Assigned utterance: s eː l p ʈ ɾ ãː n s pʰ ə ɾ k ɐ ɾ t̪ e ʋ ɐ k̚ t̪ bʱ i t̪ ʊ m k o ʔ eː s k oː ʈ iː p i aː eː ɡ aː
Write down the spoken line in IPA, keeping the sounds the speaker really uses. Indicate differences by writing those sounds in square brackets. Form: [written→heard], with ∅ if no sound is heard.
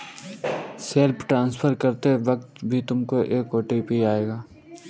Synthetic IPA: s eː l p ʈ ɾ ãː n s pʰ ə ɾ k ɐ ɾ t̪ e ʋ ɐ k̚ t̪ bʱ i t̪ ʊ m k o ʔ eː [s→∅] k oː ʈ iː p i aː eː ɡ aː